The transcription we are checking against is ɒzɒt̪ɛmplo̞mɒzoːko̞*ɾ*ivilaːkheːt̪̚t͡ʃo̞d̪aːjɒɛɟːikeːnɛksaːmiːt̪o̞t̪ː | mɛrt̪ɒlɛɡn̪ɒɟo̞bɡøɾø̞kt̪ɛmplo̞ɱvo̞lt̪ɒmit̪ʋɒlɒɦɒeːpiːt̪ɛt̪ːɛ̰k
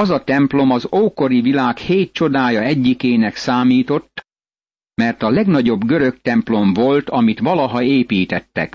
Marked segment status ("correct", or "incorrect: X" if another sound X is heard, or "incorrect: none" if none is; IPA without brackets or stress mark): correct